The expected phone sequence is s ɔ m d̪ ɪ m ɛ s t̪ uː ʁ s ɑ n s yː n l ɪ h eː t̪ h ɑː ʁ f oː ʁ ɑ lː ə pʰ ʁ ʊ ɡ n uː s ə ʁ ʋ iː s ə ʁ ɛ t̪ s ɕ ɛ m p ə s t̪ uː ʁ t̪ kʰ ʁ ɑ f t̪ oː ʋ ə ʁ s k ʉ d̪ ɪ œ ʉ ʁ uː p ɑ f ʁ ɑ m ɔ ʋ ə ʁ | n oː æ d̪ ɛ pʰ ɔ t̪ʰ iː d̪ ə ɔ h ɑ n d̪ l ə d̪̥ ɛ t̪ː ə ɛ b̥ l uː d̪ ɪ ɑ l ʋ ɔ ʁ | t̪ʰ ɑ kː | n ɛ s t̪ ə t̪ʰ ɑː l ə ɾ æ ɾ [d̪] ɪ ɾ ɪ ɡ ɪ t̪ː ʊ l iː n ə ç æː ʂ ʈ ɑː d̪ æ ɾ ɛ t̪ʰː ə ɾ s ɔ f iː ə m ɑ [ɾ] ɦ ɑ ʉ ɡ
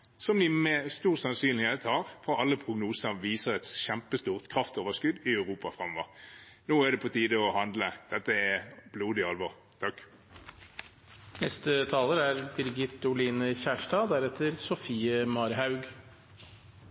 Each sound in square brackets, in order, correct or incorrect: correct, correct

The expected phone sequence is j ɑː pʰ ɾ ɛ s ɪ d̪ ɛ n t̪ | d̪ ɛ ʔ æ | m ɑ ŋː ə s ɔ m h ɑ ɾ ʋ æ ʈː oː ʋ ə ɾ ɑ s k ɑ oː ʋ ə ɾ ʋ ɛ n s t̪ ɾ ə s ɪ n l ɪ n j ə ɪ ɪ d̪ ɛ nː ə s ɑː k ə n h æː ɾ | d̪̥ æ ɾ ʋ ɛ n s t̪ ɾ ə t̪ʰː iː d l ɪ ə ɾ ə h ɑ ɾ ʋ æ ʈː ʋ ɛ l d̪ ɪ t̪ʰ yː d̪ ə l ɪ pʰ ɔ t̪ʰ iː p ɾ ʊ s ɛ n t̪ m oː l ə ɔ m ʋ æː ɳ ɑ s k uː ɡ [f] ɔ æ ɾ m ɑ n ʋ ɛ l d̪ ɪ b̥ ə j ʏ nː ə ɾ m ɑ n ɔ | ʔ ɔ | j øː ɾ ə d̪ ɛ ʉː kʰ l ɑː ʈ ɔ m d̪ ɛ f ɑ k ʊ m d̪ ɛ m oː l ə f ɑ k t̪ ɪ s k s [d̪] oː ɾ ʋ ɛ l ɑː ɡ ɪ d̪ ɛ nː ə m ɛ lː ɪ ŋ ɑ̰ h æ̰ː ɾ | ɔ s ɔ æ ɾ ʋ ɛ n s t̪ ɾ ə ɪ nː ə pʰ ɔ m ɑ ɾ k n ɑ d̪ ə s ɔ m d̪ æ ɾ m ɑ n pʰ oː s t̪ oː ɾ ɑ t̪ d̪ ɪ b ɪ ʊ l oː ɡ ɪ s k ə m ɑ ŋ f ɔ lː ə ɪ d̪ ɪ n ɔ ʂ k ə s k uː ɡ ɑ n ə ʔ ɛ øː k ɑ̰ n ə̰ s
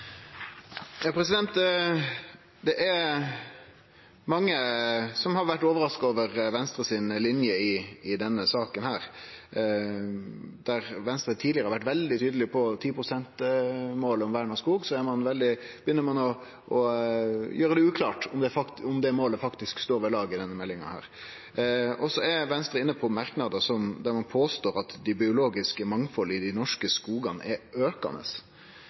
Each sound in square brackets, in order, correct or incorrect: incorrect, incorrect

